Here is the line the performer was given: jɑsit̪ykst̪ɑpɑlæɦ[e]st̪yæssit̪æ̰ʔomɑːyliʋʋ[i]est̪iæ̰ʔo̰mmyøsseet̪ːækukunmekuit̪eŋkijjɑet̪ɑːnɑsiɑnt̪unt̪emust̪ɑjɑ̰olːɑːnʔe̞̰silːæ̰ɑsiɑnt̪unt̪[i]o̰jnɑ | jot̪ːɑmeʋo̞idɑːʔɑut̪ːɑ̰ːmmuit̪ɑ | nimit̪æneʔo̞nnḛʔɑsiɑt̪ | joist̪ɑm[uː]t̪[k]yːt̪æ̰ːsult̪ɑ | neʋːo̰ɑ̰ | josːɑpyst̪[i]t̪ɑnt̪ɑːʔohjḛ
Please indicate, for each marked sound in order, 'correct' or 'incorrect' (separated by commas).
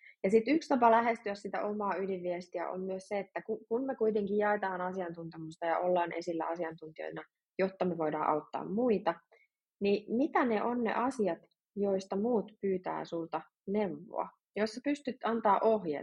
correct, correct, correct, correct, incorrect, incorrect